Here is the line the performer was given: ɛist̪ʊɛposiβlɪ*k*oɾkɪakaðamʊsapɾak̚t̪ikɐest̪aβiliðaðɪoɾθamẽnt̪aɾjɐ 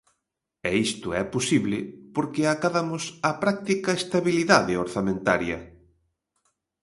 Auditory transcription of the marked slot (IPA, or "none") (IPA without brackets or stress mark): p